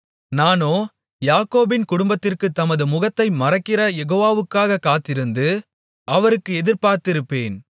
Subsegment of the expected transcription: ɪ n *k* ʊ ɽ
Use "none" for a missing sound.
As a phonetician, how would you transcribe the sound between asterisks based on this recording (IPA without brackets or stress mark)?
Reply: k